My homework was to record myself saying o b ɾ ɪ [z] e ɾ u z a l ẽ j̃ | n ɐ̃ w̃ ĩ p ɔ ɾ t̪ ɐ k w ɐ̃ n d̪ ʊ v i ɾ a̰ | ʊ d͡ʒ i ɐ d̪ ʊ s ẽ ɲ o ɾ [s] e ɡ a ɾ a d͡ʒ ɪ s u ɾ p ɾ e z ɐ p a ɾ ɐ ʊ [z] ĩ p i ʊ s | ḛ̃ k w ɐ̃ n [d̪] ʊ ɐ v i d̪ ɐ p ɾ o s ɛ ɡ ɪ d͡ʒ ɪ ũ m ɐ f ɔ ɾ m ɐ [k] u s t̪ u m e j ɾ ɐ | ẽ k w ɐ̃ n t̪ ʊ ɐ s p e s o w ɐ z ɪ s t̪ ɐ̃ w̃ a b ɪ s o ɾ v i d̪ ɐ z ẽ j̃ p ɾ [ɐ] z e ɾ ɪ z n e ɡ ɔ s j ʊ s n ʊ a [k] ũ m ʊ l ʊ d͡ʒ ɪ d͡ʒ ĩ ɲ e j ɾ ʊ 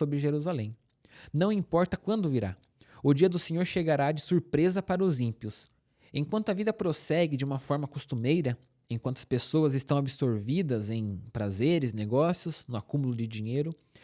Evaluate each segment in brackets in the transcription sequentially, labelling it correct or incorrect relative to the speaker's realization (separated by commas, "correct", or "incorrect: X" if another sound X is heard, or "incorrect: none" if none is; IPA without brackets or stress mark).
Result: incorrect: ʒ, incorrect: ʃ, correct, incorrect: t̪, correct, incorrect: a, correct